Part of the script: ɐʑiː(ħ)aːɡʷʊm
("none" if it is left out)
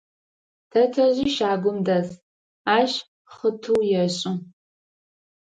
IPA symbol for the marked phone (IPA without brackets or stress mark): ʃ